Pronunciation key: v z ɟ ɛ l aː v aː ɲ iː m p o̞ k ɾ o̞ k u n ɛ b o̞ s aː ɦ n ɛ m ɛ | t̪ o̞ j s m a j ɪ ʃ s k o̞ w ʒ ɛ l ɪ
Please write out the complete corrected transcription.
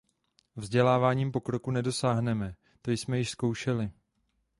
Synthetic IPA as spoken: v z ɟ ɛ l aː v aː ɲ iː m p o̞ k ɾ o̞ k u n ɛ d o̞ s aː ɦ n ɛ m ɛ | t̪ o̞ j s m ɛ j ɪ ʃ s k o̞ w ʃ ɛ l ɪ